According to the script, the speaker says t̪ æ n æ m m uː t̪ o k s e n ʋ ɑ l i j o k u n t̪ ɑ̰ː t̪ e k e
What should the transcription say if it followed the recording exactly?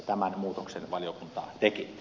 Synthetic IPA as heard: t̪ æ m æ n m uː t̪ o k s e n ʋ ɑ l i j o k u n t̪ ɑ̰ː t̪ e k i